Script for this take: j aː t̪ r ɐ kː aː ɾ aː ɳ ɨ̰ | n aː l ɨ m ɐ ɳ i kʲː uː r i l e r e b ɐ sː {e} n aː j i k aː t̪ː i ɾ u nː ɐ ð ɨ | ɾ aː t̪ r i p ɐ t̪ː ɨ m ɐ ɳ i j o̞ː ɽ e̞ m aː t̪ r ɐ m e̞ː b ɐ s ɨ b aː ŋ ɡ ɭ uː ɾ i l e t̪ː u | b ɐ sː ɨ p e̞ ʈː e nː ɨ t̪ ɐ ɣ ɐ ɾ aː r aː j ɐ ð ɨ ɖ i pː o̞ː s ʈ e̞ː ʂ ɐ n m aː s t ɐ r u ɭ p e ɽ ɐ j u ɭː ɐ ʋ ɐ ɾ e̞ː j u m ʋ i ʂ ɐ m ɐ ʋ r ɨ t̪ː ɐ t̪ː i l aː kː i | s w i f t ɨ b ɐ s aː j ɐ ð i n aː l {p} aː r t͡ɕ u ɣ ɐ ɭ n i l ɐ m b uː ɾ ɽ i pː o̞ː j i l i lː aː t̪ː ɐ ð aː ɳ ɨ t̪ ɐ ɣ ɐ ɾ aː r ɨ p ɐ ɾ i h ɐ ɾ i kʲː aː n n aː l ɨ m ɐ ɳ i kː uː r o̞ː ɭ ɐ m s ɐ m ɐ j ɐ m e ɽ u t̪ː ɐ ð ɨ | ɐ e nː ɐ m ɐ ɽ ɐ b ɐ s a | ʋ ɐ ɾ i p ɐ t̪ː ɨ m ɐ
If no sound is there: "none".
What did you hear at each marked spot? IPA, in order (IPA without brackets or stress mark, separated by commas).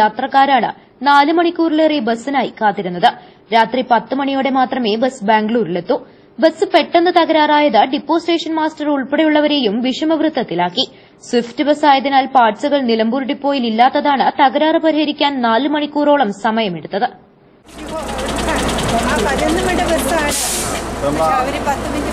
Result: i, p